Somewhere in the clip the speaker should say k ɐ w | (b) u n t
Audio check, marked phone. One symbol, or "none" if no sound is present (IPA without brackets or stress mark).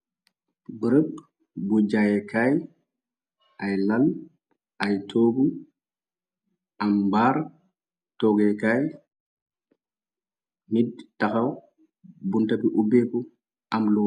b